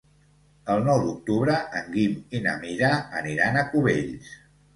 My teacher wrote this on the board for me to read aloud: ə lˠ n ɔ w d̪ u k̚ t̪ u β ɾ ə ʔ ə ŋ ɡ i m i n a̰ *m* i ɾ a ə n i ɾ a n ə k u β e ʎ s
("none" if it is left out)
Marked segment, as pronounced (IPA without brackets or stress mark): m